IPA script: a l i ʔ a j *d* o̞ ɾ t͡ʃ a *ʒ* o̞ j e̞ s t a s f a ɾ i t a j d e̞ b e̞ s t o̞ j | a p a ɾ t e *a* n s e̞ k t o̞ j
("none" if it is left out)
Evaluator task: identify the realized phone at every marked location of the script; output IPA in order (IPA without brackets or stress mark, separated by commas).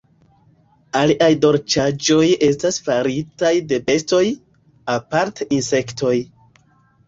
d, d͡ʒ, i